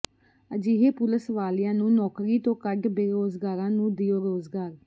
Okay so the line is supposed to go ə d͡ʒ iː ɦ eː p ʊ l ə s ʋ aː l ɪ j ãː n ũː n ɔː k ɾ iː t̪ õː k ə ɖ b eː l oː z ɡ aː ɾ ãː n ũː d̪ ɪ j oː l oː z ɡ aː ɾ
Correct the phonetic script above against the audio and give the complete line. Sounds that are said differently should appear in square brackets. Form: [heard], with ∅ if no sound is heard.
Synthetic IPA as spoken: ə d͡ʒ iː ɦ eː p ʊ l ə s ʋ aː l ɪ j ãː n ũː n ɔː k ɾ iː t̪ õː k ə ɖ b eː [ɾ] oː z ɡ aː ɾ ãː n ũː d̪ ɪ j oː [ɾ] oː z ɡ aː ɾ